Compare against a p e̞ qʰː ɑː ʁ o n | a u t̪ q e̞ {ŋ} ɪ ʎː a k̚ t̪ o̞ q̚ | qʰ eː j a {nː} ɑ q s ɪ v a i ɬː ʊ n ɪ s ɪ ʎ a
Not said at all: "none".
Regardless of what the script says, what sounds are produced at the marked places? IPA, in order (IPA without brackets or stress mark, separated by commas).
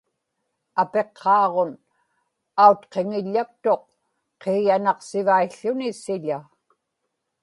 ŋ, n